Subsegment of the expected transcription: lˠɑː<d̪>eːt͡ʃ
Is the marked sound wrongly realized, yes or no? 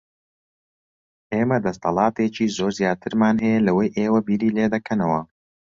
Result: yes